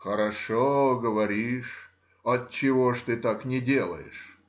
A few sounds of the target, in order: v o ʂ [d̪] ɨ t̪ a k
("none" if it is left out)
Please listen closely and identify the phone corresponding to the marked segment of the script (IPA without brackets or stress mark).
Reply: t̪